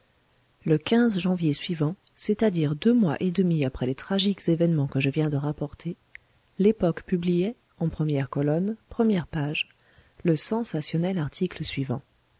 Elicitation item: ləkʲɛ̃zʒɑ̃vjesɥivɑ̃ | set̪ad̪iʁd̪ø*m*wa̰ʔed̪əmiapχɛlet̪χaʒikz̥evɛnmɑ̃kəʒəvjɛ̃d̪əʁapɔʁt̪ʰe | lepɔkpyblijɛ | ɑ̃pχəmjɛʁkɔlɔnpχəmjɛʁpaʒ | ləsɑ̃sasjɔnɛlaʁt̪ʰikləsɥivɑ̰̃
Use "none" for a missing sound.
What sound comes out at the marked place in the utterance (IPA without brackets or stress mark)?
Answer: m